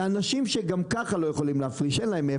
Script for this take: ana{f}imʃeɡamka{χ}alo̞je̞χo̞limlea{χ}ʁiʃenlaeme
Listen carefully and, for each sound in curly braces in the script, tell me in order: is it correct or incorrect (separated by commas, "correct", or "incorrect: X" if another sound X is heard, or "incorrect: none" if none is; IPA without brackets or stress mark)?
incorrect: ʃ, correct, incorrect: f